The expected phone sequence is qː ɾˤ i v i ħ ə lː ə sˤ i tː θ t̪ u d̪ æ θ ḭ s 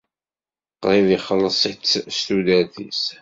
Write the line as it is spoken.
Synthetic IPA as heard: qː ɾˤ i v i χ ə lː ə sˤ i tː s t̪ u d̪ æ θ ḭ s